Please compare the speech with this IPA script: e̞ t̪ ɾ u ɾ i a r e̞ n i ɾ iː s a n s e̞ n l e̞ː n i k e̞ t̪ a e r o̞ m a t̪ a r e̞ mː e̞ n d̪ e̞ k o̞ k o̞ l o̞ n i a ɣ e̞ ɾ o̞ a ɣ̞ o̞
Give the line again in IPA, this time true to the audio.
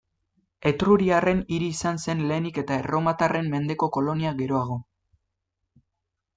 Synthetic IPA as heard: e̞ t̪ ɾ u ɾ i a r e̞ n i ɾ iː s a n s e̞ n l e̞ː n i k e̞ t̪ a e r o̞ m a t̪ a r e̞ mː e̞ n d̪ e̞ k o̞ k o̞ l o̞ n i a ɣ e̞ ɾ o̞ a ɣ̞ o̞